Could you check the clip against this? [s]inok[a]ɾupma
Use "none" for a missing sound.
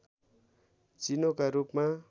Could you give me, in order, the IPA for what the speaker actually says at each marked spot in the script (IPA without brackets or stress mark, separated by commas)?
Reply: t͡s, a